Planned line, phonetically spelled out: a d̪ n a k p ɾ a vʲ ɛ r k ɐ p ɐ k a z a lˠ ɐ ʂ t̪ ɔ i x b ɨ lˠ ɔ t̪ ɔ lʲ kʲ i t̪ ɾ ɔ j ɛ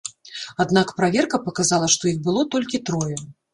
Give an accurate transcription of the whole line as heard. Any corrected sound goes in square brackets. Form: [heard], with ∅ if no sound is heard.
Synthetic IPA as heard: a d̪ n a k p ɾ a vʲ ɛ r k ɐ p ɐ k a z a lˠ ɐ ʂ t̪ ɔ i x b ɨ lˠ ɔ t̪ ɔ lʲ kʲ i t̪ ɾ ɔ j ɛ